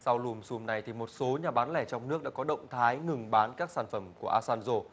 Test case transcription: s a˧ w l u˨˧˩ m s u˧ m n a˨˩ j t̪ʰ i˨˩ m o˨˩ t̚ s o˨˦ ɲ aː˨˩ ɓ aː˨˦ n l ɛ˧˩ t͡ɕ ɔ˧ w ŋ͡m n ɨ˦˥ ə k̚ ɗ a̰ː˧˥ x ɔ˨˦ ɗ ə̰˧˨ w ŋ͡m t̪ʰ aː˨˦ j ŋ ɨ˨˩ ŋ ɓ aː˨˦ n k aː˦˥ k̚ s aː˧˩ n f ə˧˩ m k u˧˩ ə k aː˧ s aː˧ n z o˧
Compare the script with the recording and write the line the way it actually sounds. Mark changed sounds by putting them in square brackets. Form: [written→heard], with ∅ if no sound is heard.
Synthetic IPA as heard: s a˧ w l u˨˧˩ m s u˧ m n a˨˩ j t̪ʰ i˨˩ m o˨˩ t̚ s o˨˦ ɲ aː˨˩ ɓ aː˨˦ n l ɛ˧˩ t͡ɕ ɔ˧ w ŋ͡m n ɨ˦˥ ə k̚ ɗ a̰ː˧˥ [x→k] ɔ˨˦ ɗ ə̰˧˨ w ŋ͡m t̪ʰ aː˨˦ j ŋ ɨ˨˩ ŋ ɓ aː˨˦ n k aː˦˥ k̚ s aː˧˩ n f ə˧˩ m k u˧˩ ə [k→ʔ] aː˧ s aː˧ n z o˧